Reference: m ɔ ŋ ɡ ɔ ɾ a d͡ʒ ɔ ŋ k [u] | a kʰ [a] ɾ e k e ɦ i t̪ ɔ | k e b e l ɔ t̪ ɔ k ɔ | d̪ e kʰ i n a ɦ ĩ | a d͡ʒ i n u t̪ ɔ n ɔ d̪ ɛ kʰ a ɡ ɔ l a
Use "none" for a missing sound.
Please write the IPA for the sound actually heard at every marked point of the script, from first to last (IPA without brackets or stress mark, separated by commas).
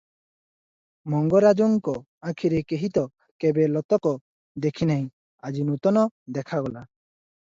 ɔ, i